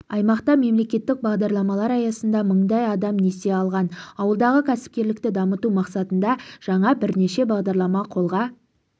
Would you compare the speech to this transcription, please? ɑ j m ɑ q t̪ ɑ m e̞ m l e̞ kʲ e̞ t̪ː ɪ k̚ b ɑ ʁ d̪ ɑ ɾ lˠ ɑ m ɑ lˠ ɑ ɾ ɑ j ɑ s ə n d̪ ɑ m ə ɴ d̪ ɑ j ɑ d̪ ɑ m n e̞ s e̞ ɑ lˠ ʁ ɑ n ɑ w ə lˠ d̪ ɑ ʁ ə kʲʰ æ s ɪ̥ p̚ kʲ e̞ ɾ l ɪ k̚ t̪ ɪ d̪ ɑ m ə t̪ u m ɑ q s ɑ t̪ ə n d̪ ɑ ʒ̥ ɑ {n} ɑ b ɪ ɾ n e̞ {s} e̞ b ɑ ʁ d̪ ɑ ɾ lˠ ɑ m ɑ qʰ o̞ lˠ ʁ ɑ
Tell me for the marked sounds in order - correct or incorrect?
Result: incorrect: ɴ, incorrect: ʃ

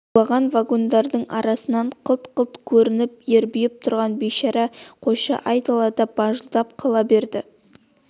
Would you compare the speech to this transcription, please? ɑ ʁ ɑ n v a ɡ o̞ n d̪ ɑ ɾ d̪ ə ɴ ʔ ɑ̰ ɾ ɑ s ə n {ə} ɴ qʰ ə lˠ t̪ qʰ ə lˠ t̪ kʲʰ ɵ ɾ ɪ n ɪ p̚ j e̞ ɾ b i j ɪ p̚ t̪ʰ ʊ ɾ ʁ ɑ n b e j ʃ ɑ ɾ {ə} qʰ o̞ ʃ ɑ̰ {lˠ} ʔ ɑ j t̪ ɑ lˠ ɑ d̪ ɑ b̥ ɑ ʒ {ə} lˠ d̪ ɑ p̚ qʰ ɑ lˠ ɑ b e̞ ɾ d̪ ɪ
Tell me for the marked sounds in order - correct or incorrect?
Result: incorrect: ɑ, incorrect: ɑ, incorrect: none, correct

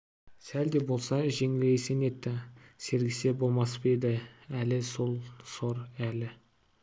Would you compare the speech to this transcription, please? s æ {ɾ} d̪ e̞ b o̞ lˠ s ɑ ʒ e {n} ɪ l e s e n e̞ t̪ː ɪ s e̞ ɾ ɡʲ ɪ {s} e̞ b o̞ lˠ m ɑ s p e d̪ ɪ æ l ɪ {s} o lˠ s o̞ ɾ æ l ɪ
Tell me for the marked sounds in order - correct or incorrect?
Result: incorrect: l, incorrect: ŋ, correct, correct

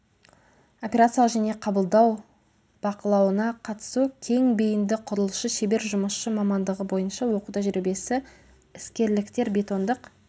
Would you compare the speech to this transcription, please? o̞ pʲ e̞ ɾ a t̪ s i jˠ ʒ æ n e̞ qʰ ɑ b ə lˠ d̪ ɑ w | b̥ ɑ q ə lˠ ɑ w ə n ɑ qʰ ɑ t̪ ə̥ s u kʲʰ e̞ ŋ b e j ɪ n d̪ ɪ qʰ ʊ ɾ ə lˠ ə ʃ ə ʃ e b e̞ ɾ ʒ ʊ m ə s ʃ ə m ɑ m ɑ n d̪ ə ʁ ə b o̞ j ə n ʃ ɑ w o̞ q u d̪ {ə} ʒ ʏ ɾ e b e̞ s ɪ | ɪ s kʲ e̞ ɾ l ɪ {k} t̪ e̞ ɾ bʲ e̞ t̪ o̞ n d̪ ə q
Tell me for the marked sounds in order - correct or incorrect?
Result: incorrect: ɑ, correct

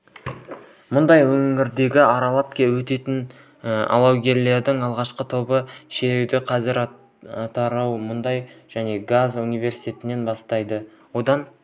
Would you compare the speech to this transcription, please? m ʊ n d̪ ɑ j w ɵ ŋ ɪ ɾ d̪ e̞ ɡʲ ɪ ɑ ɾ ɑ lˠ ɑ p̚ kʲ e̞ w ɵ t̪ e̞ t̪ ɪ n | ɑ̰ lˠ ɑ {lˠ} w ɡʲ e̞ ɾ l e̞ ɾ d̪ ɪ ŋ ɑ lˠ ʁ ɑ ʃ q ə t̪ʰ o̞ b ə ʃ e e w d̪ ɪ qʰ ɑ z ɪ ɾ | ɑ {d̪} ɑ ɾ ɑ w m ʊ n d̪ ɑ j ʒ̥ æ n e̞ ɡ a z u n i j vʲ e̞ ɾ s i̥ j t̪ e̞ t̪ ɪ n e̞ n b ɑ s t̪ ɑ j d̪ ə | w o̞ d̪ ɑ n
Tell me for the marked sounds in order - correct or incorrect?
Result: incorrect: none, incorrect: t̪

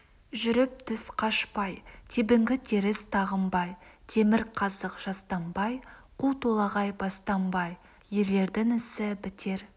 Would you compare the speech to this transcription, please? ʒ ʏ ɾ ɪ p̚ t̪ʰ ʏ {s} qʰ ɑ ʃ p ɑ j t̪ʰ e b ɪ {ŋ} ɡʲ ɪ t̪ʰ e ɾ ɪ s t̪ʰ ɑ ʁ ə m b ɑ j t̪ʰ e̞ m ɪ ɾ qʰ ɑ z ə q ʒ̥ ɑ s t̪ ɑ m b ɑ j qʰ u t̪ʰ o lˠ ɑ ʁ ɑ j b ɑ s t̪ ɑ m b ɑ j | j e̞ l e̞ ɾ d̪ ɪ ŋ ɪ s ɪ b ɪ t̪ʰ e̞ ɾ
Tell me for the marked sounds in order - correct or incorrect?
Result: correct, correct

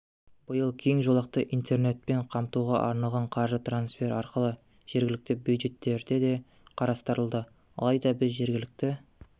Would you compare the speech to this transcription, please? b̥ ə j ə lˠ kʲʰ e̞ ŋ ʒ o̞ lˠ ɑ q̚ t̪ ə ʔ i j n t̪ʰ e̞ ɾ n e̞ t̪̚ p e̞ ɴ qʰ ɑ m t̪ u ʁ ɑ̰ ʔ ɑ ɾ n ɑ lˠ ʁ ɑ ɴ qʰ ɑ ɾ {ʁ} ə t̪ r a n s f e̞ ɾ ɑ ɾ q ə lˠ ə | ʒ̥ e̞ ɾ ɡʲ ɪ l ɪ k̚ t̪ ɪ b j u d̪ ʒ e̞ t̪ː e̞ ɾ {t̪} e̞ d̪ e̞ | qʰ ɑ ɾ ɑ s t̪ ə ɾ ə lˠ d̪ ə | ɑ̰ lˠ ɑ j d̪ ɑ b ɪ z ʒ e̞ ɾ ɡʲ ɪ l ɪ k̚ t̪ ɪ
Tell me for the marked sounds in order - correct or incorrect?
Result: incorrect: ʒ, incorrect: d̪

